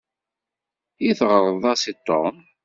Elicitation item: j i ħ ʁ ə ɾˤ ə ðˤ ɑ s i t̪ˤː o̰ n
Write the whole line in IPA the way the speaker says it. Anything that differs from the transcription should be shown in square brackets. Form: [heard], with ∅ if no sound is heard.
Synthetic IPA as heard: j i [θ] ʁ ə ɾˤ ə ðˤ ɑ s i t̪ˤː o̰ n